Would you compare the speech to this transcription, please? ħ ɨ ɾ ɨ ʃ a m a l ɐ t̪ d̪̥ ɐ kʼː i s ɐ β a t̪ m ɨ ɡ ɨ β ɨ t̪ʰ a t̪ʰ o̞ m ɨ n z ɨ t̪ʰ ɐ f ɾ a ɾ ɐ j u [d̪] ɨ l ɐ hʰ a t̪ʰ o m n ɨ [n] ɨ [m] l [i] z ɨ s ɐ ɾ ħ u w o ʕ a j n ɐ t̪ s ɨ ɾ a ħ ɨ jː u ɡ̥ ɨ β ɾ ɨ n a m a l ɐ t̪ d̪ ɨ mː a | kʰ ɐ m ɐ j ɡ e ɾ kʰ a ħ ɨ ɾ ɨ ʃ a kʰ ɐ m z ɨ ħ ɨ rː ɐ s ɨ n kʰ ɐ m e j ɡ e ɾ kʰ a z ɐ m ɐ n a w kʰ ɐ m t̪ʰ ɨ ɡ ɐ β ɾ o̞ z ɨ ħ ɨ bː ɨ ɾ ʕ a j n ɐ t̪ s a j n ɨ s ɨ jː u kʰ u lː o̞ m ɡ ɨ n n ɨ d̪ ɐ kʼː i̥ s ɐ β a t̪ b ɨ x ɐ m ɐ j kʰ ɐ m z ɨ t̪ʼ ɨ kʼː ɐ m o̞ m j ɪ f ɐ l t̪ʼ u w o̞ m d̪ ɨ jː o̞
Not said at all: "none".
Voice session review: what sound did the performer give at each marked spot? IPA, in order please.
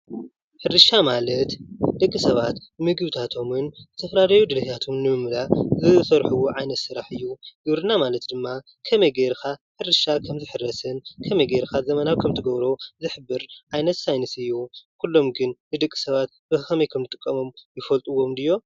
d̪, m, m, a

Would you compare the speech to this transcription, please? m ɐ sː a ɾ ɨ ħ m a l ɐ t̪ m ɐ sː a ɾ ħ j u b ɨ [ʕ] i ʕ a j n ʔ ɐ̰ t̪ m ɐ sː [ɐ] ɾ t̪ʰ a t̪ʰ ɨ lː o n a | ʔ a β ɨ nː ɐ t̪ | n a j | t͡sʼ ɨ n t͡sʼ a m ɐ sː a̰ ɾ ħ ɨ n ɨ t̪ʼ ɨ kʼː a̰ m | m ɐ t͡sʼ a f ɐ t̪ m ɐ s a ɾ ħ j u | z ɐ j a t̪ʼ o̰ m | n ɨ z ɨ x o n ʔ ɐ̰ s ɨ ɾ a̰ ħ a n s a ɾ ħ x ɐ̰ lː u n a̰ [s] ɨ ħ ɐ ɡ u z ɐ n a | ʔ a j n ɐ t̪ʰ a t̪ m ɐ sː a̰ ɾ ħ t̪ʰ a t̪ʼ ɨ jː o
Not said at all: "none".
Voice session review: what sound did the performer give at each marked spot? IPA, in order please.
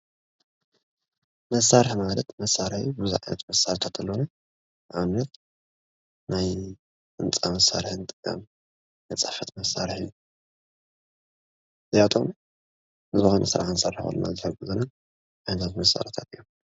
z, a, z

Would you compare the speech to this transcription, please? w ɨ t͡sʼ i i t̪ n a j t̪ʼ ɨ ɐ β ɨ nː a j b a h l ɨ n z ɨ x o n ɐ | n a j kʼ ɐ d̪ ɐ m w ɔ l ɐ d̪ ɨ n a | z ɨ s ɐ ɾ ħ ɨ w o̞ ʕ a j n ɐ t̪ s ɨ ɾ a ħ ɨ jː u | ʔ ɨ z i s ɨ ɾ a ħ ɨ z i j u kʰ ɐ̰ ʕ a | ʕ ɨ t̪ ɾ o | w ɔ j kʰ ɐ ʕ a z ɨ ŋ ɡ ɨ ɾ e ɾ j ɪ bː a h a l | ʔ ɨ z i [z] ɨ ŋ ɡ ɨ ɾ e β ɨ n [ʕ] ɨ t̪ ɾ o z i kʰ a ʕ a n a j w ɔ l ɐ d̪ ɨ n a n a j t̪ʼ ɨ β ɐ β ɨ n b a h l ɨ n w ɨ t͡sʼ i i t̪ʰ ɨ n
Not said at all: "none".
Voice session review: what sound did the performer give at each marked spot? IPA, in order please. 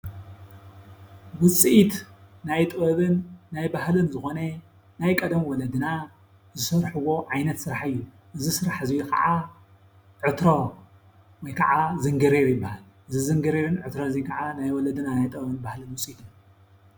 z, ʕ

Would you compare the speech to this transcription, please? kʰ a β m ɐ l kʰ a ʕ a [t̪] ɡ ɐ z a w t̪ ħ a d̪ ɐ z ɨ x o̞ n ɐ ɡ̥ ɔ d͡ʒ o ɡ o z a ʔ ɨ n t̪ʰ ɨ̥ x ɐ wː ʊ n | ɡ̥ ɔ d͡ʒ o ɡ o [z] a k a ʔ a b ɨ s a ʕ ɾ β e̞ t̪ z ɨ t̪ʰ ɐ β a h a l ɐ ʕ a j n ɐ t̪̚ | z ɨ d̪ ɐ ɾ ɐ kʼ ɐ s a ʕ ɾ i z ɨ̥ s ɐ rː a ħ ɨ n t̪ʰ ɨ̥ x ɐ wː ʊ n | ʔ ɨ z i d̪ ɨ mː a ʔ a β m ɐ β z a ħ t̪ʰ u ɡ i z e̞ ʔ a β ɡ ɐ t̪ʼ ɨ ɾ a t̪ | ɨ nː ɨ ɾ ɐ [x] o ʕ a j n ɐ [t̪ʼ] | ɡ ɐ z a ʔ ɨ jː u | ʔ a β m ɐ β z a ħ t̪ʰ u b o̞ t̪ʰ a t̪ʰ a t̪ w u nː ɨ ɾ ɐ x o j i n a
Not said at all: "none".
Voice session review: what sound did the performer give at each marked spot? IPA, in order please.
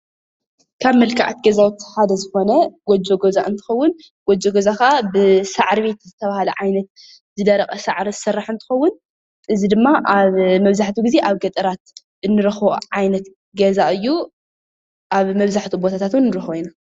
t̪, z, x, t̪

